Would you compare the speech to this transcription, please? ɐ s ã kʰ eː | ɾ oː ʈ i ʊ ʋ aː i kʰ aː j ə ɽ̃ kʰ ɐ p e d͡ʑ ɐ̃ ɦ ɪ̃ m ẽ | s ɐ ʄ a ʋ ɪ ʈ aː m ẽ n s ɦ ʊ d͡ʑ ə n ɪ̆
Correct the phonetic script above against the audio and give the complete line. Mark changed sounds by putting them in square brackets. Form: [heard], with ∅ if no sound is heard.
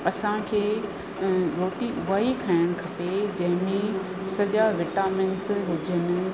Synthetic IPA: ɐ s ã kʰ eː | ɾ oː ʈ i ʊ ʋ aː i kʰ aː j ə ɽ̃ kʰ ɐ p e d͡ʑ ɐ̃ ɦ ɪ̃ m ẽ | s ɐ ʄ a ʋ ɪ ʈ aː m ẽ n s ɦ ʊ d͡ʑ ə n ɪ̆